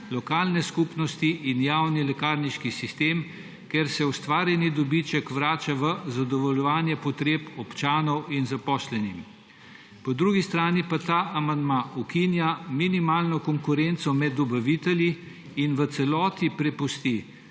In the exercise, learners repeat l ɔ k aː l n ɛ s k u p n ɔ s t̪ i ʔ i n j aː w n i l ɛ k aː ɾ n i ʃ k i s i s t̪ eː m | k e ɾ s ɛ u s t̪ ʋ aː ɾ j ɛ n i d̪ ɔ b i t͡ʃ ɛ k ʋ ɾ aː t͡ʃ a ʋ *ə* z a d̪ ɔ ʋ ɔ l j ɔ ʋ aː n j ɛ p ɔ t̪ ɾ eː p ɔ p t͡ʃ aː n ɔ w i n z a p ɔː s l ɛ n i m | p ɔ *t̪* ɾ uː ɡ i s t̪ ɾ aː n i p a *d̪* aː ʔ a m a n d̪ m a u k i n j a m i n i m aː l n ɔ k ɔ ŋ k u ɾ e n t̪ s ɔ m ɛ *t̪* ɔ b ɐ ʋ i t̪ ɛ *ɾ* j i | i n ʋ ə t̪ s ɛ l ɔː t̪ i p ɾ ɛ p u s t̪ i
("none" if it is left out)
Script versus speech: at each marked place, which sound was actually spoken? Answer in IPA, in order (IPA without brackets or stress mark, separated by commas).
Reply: ə, d̪, t̪, d̪, l